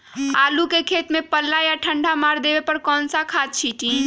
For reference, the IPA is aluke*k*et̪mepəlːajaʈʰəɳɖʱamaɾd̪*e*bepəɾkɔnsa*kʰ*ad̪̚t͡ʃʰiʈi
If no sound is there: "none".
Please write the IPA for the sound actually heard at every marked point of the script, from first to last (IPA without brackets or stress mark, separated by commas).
kʰ, e, kʰ